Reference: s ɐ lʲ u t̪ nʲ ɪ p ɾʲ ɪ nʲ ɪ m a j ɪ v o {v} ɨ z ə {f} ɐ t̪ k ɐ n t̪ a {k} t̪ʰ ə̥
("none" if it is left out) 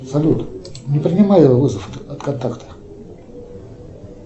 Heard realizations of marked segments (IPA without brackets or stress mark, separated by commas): v, f, k